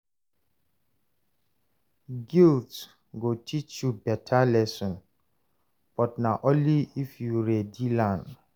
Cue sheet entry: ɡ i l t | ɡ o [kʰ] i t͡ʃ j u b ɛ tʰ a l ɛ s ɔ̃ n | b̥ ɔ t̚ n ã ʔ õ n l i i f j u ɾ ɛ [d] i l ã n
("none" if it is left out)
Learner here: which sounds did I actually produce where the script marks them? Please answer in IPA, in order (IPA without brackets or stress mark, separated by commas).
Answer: tʰ, d